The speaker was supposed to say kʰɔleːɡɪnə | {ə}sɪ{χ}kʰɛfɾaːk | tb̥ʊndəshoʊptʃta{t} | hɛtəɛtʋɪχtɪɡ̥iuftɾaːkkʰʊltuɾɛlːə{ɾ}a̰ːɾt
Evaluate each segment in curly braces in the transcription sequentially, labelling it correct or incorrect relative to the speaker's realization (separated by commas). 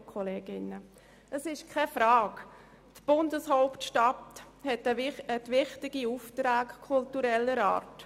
correct, incorrect, correct, correct